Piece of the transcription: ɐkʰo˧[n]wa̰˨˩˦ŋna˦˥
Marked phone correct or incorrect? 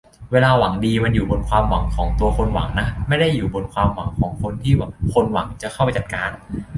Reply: correct